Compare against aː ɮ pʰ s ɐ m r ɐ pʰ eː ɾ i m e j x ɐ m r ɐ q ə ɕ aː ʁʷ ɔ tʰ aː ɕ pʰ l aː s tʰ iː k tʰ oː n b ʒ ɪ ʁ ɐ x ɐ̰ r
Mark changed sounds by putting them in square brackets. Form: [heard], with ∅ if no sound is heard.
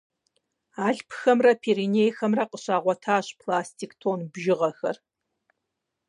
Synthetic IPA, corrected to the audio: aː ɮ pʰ [x] ɐ m r ɐ pʰ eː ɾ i [n] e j x ɐ m r ɐ q ə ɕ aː ʁʷ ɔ tʰ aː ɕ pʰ l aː s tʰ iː k tʰ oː n b ʒ ɪ ʁ ɐ x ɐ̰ r